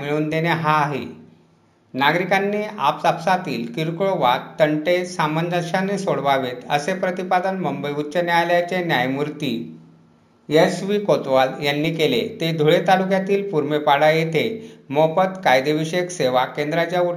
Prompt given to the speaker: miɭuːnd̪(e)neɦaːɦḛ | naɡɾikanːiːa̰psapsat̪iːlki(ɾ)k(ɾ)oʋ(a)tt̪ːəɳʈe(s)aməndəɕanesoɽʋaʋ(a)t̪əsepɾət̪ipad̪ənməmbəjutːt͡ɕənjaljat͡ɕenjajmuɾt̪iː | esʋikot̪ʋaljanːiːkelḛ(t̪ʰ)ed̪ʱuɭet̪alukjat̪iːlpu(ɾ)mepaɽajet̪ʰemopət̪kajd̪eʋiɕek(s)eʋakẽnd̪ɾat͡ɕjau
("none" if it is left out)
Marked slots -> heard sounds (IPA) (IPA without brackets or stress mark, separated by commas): e, ɾ, ɭ, a, s, e, t̪, ɾ, s